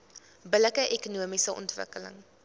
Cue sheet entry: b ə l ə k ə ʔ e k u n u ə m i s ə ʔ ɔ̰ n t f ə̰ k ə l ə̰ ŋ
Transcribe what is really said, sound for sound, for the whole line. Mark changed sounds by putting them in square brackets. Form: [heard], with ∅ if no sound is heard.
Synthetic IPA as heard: b ə l ə k ə ʔ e k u n u ə m i s ə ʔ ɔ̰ n t [v] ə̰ k ə l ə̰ ŋ